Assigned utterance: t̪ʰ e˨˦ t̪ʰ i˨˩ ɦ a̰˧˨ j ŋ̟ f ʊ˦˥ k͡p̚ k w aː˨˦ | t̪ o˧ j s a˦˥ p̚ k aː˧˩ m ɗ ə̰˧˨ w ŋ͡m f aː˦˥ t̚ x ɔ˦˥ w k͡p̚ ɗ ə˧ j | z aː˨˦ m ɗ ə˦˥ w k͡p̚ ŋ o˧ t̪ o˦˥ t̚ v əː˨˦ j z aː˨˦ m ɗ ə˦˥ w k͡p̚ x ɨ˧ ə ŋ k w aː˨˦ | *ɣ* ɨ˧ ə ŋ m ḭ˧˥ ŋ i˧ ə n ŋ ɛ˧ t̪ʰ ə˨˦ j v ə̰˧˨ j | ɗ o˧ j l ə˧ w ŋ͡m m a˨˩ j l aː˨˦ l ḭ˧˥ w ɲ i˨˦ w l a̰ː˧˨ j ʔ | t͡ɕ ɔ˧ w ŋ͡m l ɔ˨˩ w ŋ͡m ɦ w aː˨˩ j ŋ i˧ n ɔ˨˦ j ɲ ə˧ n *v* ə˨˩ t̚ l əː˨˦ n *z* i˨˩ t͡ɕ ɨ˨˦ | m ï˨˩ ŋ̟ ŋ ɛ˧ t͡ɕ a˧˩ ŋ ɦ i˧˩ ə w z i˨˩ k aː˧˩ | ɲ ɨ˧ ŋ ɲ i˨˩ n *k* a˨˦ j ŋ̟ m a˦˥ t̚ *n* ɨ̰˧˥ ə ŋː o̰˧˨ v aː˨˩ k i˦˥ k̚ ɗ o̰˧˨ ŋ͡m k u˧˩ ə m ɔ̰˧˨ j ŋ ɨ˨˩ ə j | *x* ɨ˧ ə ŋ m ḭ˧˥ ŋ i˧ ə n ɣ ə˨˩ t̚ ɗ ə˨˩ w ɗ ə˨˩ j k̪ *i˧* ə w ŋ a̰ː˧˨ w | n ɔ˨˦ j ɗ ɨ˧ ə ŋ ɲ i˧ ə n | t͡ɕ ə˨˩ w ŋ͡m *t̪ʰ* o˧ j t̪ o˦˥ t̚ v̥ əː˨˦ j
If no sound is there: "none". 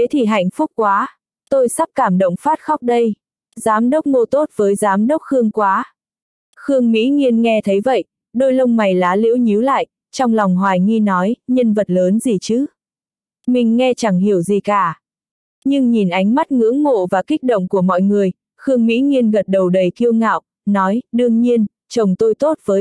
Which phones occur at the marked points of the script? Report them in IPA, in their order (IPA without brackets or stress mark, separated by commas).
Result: x, v, z, ʔ, ŋ, x, i˧, t̪